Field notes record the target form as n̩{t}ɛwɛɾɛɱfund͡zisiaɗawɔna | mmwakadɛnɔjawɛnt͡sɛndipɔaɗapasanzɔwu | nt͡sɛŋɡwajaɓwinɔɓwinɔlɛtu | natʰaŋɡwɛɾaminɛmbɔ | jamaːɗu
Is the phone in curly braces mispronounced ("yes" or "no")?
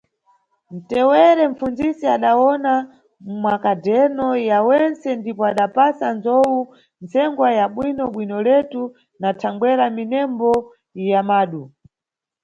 no